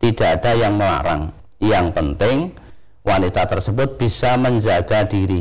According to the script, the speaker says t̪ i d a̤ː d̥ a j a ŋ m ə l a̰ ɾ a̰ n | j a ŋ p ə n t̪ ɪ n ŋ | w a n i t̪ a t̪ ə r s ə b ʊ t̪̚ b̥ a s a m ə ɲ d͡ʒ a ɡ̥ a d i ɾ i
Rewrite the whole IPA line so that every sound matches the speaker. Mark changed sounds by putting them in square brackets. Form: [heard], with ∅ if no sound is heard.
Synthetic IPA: t̪ i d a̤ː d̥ a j a ŋ m ə l a̰ ɾ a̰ [ŋ] | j a ŋ p ə n t̪ ɪ [∅] ŋ | w a n i t̪ a t̪ ə r s ə b ʊ t̪̚ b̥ [i] s a m ə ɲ d͡ʒ a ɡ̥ a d i ɾ i